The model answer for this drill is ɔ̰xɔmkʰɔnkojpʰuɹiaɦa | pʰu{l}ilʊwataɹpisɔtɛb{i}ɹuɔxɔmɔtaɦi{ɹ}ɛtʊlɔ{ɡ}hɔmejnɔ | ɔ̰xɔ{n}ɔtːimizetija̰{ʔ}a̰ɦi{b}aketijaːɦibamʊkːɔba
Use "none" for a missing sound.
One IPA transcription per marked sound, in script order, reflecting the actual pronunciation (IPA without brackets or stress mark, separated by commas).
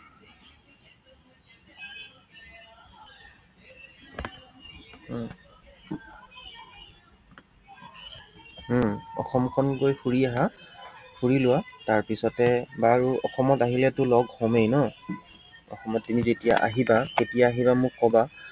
ɹ, a, l, ɡ, m, ʔ, b